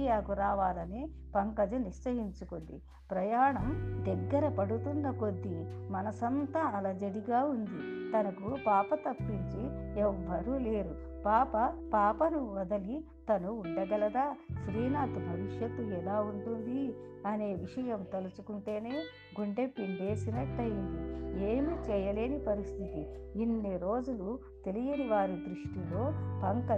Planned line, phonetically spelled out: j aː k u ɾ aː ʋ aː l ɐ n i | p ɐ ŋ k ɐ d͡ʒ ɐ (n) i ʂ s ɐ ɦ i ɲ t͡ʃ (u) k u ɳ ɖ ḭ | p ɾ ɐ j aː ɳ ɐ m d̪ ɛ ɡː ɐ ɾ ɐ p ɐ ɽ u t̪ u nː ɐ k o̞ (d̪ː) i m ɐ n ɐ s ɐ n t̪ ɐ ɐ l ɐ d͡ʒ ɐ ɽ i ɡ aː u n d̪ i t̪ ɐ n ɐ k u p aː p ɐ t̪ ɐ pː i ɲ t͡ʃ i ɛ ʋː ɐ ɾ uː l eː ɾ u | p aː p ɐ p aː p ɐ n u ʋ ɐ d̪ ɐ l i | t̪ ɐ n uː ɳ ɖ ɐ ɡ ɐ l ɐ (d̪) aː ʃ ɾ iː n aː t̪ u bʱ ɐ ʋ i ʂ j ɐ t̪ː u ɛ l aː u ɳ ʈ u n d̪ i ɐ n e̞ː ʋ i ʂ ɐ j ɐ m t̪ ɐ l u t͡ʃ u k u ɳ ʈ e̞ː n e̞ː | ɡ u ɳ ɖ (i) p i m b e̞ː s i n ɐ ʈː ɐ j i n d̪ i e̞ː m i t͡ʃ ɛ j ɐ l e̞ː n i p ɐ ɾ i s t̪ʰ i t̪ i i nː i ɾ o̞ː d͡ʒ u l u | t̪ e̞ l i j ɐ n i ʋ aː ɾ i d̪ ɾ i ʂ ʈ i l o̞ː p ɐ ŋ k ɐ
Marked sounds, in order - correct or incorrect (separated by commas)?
correct, correct, correct, correct, incorrect